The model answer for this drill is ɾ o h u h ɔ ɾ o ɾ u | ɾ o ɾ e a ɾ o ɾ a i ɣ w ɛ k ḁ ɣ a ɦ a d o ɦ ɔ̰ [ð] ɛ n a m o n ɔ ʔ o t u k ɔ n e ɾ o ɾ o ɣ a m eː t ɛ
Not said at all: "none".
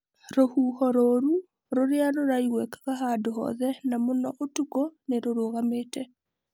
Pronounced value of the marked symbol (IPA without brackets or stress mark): ð